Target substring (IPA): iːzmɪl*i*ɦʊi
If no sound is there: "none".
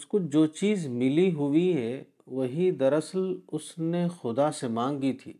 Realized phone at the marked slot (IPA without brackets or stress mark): i